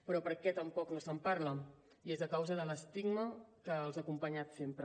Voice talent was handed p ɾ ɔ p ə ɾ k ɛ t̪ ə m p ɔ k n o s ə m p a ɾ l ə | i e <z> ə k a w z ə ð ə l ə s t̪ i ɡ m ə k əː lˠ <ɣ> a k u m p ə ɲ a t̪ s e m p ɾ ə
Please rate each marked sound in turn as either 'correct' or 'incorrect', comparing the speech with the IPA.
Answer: correct, incorrect

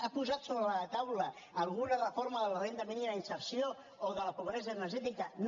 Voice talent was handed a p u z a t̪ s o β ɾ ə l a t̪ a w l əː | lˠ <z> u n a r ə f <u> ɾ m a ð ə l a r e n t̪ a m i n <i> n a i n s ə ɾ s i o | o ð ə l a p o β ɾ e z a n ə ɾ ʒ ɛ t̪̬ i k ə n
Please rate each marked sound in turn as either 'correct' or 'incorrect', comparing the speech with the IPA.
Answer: incorrect, incorrect, correct

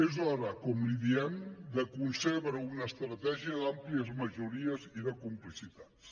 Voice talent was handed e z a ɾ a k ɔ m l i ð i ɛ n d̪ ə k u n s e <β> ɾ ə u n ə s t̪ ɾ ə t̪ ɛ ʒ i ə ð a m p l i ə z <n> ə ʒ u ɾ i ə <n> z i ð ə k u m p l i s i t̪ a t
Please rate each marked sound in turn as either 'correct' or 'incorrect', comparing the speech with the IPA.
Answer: correct, incorrect, incorrect

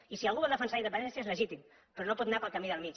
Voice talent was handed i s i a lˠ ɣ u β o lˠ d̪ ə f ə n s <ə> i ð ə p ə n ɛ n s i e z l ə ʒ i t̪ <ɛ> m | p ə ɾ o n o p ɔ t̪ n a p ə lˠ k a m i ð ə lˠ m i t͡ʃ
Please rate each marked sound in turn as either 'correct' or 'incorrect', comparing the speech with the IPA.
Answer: incorrect, incorrect

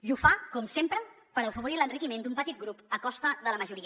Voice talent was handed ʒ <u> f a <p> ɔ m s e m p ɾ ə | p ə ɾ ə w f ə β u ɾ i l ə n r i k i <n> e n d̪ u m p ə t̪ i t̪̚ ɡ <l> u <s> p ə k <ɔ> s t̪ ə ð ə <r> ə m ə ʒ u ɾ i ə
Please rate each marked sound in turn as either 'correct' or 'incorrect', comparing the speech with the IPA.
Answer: correct, incorrect, incorrect, incorrect, incorrect, correct, incorrect

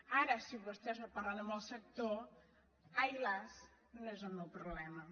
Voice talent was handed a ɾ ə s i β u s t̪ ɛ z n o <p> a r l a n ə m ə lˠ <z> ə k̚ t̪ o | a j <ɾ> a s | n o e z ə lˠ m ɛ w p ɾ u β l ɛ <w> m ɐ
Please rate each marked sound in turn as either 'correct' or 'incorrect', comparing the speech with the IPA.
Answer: correct, incorrect, incorrect, incorrect

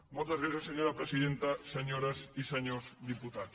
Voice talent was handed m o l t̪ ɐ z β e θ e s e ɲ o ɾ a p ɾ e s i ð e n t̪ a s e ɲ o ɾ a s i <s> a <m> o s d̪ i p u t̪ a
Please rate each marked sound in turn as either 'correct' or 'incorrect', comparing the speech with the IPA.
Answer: correct, incorrect

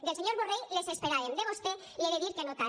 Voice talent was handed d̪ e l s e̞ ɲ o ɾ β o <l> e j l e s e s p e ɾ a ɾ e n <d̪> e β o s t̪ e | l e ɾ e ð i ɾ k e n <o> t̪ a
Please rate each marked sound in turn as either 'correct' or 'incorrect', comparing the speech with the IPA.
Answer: incorrect, correct, correct

